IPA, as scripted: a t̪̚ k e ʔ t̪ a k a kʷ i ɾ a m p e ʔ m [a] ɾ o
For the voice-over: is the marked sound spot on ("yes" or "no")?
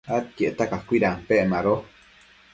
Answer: yes